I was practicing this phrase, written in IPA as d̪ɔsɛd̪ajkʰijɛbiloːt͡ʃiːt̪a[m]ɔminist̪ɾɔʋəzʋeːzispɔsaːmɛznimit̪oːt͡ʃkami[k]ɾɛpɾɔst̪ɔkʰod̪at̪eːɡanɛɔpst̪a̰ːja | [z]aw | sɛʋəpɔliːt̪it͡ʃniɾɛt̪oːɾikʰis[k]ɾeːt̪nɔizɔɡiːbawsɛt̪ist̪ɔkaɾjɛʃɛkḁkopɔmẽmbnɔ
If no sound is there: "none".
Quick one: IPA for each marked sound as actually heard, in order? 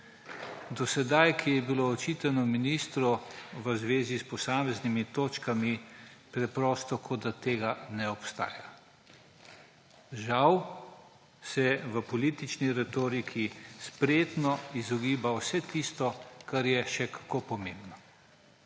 n, p, ʒ, p

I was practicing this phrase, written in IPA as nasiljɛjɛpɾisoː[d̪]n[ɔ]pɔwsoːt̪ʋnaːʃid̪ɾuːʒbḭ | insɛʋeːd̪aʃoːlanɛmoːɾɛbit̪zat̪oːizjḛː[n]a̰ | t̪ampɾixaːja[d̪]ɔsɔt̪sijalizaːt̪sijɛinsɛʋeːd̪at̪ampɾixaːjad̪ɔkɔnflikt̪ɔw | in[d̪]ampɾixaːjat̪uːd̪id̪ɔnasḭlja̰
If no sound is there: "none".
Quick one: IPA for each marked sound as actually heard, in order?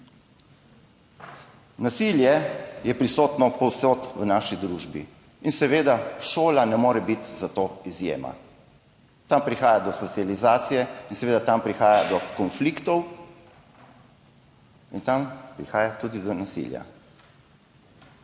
t̪, ɔ, m, d̪, t̪

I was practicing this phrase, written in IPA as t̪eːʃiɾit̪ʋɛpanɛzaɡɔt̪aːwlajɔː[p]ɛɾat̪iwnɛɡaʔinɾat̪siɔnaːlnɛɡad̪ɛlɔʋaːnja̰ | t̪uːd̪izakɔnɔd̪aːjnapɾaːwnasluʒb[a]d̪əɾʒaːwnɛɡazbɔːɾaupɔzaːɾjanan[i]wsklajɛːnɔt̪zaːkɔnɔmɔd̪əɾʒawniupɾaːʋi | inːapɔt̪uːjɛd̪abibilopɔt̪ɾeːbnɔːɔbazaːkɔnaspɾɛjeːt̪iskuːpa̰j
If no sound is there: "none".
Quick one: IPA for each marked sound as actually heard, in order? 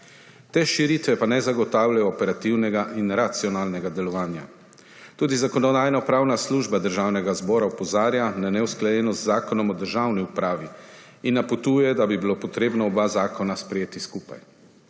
p, a, ɛ

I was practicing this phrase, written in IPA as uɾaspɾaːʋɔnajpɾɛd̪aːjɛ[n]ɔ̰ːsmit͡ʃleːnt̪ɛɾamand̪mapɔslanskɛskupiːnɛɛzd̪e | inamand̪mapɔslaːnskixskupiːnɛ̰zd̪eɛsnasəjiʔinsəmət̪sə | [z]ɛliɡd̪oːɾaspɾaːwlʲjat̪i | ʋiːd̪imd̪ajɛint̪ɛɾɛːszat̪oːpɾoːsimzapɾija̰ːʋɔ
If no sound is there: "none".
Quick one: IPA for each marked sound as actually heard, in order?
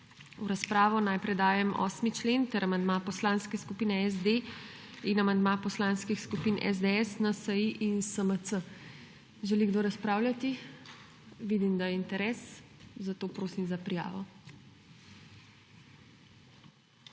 m, ʒ

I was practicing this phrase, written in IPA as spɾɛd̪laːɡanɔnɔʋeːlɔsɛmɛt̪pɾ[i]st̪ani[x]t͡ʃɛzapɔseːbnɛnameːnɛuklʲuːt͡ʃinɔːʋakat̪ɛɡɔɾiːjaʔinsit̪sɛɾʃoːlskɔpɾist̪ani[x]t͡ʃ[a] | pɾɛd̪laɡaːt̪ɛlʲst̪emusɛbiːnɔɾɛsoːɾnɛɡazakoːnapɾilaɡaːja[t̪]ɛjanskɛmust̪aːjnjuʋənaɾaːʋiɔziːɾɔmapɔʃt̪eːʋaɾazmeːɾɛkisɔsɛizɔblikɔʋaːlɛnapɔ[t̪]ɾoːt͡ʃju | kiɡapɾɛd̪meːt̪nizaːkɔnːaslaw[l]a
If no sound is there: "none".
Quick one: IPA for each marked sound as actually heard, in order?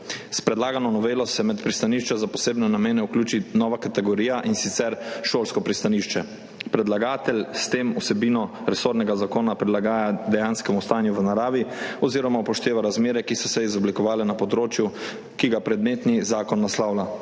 i, ʃ, ʃ, ɛ, d̪, d̪, l

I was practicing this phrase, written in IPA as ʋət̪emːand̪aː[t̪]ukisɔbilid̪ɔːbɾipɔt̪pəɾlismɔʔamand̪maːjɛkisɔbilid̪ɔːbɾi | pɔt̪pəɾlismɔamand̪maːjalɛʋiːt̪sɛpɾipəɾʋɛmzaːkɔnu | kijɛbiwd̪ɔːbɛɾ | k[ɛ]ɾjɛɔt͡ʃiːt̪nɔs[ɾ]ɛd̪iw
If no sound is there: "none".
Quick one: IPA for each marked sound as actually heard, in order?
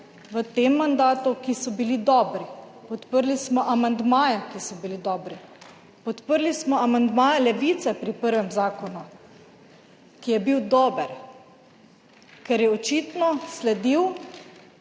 t̪, ɛ, l

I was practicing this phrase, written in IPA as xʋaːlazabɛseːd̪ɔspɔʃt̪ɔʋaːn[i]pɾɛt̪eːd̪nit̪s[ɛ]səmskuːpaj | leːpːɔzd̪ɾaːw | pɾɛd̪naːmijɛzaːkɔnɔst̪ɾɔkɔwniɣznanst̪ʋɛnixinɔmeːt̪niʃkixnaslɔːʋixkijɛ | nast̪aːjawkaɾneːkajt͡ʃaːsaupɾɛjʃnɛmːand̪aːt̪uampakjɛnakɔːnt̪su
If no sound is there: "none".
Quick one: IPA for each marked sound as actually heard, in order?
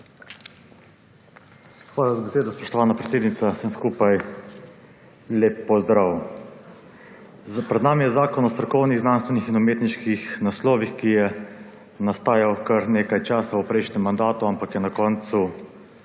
a, a

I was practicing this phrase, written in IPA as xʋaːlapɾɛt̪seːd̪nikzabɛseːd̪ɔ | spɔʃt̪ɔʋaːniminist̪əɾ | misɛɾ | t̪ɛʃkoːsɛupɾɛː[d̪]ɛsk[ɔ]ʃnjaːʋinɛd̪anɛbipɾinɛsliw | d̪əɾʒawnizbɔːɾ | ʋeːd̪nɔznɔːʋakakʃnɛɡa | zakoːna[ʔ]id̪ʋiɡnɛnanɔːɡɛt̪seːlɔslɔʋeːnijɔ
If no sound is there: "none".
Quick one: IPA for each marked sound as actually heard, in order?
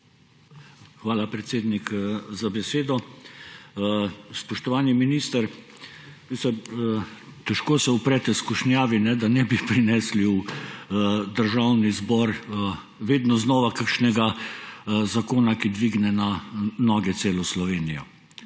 t̪, u, k

